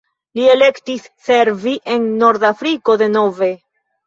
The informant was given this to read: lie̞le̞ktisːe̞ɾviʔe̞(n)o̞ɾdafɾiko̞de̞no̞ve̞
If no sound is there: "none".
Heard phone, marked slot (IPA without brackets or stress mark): nː